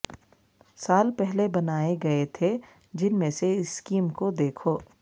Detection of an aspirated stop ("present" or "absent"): present